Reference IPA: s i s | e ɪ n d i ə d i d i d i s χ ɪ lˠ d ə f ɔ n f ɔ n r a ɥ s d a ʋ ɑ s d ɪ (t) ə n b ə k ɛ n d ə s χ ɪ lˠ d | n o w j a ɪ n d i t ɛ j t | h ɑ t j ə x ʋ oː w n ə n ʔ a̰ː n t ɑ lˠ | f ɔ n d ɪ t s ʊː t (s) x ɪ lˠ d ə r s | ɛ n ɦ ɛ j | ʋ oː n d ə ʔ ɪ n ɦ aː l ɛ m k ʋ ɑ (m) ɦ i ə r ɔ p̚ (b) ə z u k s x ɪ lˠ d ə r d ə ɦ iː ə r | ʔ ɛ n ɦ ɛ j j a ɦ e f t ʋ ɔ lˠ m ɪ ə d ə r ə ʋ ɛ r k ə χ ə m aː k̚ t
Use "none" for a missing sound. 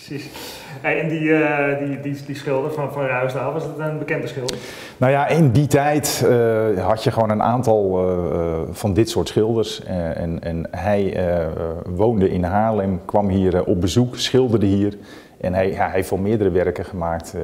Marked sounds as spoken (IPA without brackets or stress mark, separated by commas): t, s, m, b